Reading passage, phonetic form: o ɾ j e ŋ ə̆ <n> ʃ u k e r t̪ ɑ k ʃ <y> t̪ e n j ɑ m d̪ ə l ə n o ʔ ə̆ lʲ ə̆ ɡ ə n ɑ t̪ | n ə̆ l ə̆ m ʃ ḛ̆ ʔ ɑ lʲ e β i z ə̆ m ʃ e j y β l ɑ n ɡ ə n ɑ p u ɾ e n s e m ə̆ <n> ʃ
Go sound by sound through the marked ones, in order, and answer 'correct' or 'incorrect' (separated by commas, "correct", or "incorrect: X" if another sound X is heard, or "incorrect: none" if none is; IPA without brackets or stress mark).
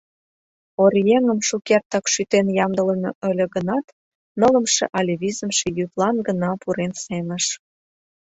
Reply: incorrect: m, correct, incorrect: none